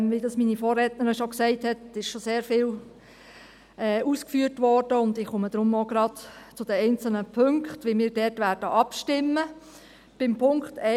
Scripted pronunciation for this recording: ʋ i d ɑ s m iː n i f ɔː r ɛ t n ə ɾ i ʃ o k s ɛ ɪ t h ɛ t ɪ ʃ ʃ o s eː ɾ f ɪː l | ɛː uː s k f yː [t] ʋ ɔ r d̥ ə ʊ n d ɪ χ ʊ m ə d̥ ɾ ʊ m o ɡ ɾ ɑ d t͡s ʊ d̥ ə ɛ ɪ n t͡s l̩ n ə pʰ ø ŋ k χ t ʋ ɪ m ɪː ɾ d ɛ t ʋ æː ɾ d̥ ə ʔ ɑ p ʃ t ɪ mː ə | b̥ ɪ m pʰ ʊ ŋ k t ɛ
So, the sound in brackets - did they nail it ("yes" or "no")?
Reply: yes